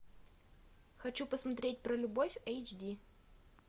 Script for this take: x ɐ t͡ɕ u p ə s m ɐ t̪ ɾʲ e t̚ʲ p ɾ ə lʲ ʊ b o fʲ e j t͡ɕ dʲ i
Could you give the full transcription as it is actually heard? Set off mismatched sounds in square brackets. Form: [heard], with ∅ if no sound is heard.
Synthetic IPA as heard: x ɐ t͡ɕ u p ə s m ɐ t̪ ɾʲ e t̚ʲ p ɾ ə lʲ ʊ b o fʲ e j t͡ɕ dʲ i